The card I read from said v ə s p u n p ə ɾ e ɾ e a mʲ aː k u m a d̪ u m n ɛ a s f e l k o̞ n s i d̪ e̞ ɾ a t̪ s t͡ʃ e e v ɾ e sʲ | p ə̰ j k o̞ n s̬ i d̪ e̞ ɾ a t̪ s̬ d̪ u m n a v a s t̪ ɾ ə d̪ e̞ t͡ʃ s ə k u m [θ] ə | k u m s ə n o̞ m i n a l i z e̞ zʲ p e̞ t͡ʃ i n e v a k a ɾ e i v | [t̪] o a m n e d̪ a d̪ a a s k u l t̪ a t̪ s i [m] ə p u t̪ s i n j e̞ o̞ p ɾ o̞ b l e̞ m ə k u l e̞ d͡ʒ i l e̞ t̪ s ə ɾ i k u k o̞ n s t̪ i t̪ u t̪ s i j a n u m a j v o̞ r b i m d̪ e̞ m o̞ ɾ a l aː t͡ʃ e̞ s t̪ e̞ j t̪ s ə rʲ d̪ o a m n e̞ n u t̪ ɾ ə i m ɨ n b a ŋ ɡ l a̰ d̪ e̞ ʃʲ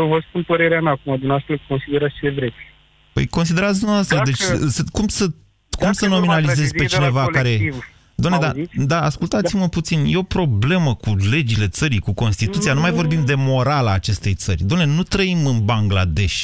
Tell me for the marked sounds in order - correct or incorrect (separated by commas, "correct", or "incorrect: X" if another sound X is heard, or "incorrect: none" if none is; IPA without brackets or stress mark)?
incorrect: s, incorrect: d̪, correct